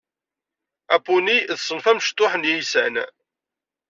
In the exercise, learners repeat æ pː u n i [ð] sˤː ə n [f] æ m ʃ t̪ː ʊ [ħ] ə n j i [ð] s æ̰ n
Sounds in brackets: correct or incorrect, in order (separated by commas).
correct, correct, correct, incorrect